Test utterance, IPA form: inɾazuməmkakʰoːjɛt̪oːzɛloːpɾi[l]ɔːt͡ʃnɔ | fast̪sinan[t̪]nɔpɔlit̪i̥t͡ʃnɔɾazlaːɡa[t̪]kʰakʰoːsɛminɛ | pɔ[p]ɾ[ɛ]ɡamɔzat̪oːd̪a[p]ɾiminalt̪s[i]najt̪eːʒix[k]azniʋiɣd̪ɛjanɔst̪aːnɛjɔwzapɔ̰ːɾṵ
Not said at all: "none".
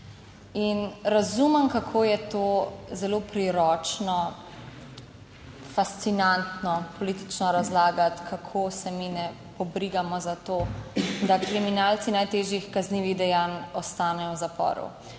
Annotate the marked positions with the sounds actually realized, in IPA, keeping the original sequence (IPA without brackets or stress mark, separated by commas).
ɾ, t̪, t̪, b, i, k, i, k